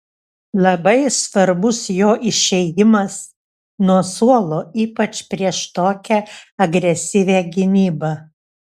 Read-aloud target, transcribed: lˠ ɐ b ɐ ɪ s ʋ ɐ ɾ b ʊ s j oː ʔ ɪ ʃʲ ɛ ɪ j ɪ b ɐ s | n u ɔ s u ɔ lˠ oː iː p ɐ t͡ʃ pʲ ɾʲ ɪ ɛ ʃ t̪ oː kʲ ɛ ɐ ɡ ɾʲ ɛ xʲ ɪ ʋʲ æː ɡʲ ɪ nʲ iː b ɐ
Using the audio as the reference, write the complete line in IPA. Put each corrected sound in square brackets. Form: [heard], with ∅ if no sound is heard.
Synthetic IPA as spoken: lˠ ɐ b ɐ ɪ s ʋ ɐ ɾ b ʊ s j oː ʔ ɪ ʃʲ ɛ ɪ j ɪ [m] ɐ s | n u ɔ s u ɔ lˠ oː iː p ɐ t͡ʃ pʲ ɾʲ [i] ɛ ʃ t̪ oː kʲ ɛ ɐ ɡ ɾʲ ɛ [sʲ] ɪ ʋʲ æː ɡʲ ɪ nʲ iː b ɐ